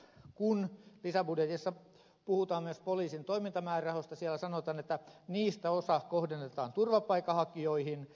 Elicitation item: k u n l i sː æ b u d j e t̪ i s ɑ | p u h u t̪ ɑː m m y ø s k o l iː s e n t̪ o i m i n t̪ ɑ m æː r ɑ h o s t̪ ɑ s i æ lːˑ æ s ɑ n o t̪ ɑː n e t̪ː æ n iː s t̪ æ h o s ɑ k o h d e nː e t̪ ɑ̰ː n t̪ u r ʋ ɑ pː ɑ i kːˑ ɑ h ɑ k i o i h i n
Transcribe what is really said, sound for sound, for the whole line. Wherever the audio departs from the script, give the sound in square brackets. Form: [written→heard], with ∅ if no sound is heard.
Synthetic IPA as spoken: k u n l i [sː→s] æ b u d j e t̪ i [s→sː] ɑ | p u h u t̪ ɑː m m y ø s [k→p] o l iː s [e→i] n t̪ o i m i n t̪ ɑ m æː r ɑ h o s t̪ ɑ s i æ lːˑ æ s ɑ n o t̪ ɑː n e t̪ː æ n iː s t̪ æ [h→∅] o s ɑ k o h d e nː e t̪ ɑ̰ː n t̪ u r ʋ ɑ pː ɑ i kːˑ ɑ h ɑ k i o i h i n